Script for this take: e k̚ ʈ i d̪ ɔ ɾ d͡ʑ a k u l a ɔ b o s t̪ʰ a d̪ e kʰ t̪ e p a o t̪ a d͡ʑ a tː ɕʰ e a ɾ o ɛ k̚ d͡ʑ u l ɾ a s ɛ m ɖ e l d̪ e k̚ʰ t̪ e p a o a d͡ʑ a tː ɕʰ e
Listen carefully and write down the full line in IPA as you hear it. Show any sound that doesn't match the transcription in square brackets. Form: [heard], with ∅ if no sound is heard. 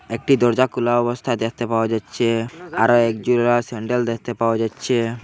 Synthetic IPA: e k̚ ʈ i d̪ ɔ ɾ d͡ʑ a k u l a ɔ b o s t̪ʰ a d̪ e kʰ t̪ e p a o [∅] a d͡ʑ a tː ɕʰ e a ɾ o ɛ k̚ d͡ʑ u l ɾ a s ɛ [ɳ] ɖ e l d̪ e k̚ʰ t̪ e p a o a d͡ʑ a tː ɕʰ e